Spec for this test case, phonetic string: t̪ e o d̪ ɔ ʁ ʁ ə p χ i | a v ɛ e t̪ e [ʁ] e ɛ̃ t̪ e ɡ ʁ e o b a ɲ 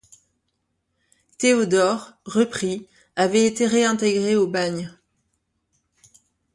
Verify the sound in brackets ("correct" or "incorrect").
correct